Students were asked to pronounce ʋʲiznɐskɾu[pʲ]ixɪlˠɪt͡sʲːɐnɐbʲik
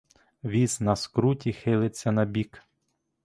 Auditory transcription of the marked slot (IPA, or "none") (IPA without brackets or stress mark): tʲ